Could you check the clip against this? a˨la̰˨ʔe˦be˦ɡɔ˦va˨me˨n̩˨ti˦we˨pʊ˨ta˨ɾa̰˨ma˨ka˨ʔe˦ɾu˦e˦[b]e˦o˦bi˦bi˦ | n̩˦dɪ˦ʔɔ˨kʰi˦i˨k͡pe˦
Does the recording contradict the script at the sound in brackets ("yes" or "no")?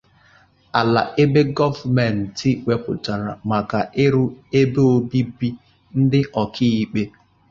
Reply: no